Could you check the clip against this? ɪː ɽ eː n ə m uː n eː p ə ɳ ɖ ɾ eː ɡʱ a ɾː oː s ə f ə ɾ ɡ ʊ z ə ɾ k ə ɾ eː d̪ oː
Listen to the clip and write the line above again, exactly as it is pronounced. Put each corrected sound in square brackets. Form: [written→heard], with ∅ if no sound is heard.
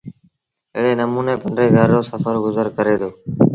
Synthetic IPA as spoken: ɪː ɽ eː n ə m uː n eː p ə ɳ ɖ ɾ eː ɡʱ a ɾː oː s ə f ə ɾ ɡ ʊ z ə ɾ k ə ɾ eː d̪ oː